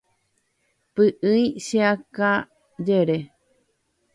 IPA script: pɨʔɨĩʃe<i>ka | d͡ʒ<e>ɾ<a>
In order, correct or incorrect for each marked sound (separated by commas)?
incorrect, correct, incorrect